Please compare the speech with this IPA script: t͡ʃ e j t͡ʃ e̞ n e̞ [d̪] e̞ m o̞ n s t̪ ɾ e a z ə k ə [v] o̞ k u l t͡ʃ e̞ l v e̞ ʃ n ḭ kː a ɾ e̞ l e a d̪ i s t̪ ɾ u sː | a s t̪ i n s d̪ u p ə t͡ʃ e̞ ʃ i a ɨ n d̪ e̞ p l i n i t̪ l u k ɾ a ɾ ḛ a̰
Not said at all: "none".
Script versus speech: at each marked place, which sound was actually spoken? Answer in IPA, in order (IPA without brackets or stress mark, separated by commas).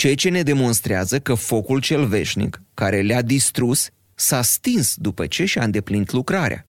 d̪, f